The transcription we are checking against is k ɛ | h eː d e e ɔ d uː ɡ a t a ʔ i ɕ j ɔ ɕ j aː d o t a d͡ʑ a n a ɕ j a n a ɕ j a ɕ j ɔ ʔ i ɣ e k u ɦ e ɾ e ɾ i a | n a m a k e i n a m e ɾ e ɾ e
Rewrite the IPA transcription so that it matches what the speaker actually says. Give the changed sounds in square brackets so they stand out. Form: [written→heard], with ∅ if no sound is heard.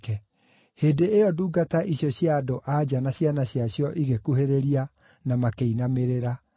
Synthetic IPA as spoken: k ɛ | h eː d e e ɔ d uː ɡ a t a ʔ i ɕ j ɔ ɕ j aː d o [t→ʔ] a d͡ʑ a n a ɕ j a n a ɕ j a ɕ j ɔ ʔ i ɣ e k u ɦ e ɾ e ɾ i a | n a m a k e i n a m e ɾ e ɾ [e→a]

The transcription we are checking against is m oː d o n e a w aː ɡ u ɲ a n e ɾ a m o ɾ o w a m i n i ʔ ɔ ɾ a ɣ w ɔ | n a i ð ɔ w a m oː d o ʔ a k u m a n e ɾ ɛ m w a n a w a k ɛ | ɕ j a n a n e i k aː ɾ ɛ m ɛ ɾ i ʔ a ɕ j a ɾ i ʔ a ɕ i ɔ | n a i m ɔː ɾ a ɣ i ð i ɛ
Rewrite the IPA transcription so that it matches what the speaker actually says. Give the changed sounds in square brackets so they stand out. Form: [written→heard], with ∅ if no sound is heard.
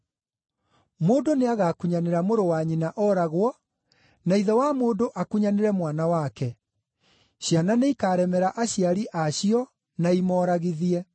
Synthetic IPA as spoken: m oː d o n e a [w→ɣ] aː [ɡ→k] u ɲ a n e ɾ a m o ɾ o w a [m→ɲ] i n [i→a] ʔ ɔ ɾ a ɣ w ɔ | n a i ð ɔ w a m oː d o ʔ a k u [m→ɲ] a n e ɾ ɛ m w a n a w a k ɛ | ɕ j a n a n e i k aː ɾ ɛ m ɛ ɾ [i→a] ʔ a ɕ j a ɾ i ʔ a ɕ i ɔ | n a i m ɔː ɾ a ɣ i ð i ɛ

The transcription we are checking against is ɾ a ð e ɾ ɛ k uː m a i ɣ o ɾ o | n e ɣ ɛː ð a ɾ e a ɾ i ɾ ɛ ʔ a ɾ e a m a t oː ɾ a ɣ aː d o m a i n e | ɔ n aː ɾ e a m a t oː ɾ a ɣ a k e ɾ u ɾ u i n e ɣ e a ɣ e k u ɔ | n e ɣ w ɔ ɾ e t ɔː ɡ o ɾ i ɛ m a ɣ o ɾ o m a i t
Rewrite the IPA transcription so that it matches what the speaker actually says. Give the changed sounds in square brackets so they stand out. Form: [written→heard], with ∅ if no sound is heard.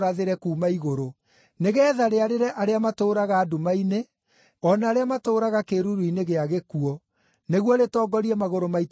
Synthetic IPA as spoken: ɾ a ð e ɾ ɛ k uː m a i ɣ o ɾ o | n e ɣ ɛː ð a ɾ e a ɾ [i→e] ɾ ɛ ʔ a ɾ e a m a t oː ɾ a ɣ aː d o m a i n e | ɔ n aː ɾ e a m a t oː ɾ a ɣ a k e ɾ u ɾ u i n e ɣ e a ɣ e k u ɔ | n e ɣ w ɔ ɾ e t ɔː ɡ [o→ɔ] ɾ i ɛ m a ɣ o ɾ o m a i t

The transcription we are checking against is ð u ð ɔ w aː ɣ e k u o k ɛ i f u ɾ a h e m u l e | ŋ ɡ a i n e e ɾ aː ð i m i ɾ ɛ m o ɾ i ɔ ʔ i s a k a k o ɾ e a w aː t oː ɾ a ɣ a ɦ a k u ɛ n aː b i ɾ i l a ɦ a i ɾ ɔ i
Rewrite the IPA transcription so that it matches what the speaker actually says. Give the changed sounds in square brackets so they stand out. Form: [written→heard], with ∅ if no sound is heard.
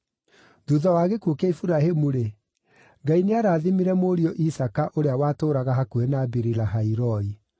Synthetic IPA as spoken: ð u ð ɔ w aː ɣ e k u o k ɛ i f u ɾ a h e m u [l→ɾ] e | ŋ ɡ a i n e [e→a] ɾ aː ð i m i ɾ ɛ m o ɾ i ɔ ʔ i s a k a [k→ʔ] o ɾ e a w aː t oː ɾ a ɣ a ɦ a k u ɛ n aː b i ɾ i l a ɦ a i ɾ ɔ i

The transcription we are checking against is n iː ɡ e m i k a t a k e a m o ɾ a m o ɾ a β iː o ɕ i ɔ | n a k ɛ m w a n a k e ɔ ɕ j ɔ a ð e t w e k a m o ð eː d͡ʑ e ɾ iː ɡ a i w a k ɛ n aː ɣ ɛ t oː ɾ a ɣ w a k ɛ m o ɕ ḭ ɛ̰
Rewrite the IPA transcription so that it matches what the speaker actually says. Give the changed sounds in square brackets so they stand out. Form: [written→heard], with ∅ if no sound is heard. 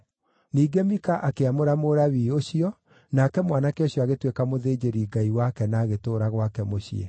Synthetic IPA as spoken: n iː ɡ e m i k a [t→ʔ] a k e a m o ɾ a m o ɾ a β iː o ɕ i ɔ | n a k ɛ m w a n a k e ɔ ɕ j ɔ a [ð→ɣ] e t w e k a m o ð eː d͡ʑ e ɾ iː ɡ a i w a k ɛ n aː ɣ [ɛ→e] t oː ɾ a ɣ w a k ɛ m o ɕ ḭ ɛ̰

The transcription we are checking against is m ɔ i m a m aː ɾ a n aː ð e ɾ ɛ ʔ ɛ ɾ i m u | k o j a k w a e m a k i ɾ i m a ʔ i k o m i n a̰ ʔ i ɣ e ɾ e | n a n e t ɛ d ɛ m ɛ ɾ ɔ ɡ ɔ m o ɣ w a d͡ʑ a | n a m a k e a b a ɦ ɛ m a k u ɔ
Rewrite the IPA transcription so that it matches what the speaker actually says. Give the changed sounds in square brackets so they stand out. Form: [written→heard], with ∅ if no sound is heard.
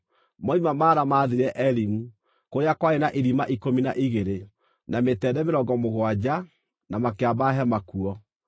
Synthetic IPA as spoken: m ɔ i m a m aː ɾ a [n→m] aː ð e ɾ ɛ ʔ ɛ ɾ i m u | k o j a k w a e [m→n] a [k→ʔ] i ɾ i m a ʔ i k o m i n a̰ ʔ i ɣ e ɾ e | n a [n→m] e t ɛ d ɛ m [ɛ→e] ɾ ɔ ɡ ɔ m o ɣ w a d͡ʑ a | n a m a k e a b a ɦ ɛ m a k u ɔ

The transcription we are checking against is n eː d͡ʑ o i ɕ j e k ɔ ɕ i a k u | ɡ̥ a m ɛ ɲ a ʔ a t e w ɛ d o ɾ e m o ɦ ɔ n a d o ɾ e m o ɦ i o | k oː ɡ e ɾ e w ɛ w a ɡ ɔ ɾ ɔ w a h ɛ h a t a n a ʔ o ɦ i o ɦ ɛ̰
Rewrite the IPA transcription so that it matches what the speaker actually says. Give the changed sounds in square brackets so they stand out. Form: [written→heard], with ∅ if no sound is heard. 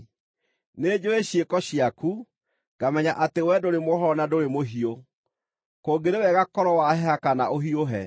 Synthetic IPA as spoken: n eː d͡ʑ o [i→e] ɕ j e k ɔ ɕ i a k u | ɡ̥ a m ɛ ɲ a ʔ a t e w ɛ d o ɾ e m o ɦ ɔ n a d o ɾ e m o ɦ i o | k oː ɡ e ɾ e w ɛ [w→ɣ] a [ɡ→k] ɔ ɾ ɔ w a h ɛ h a [t→k] a n a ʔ o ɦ i o ɦ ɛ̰

